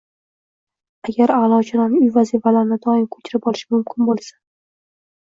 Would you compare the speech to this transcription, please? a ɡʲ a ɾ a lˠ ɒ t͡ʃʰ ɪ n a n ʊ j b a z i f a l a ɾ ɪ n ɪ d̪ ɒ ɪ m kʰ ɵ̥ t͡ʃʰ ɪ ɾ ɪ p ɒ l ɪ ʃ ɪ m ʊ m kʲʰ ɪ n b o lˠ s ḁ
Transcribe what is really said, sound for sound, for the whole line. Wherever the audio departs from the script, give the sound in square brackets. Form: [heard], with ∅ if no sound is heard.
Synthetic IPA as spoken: a ɡʲ a ɾ a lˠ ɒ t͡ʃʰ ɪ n a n ʊ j [v] a z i f a l a ɾ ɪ n ɪ d̪ ɒ ɪ m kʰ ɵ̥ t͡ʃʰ ɪ ɾ ɪ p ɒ l ɪ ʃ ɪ m ʊ m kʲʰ ɪ n b o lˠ s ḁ